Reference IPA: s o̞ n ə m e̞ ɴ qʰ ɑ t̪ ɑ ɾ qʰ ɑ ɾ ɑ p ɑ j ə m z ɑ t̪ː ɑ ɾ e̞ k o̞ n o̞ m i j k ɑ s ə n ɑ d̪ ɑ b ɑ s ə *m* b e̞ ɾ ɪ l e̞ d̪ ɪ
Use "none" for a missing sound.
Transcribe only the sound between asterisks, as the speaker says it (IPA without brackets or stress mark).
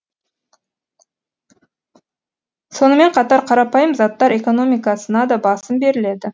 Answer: m